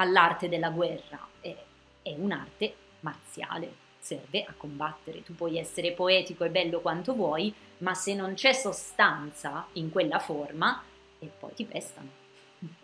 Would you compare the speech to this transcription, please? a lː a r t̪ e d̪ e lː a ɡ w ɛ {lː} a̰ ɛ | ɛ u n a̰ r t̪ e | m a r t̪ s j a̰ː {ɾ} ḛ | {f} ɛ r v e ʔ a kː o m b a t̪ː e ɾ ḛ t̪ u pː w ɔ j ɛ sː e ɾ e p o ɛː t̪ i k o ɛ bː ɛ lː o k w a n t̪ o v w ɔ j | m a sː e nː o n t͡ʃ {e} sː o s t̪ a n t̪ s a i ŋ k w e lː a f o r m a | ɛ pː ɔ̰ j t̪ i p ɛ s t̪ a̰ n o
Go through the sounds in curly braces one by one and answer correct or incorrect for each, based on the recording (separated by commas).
incorrect, incorrect, incorrect, incorrect